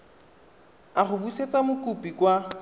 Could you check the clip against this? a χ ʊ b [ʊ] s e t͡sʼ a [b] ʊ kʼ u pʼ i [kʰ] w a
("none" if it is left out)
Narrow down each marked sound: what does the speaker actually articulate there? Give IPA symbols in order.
u, m, k

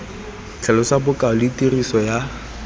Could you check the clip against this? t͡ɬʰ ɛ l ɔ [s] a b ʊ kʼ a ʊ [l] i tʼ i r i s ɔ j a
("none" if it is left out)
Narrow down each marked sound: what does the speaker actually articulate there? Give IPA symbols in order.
s, l

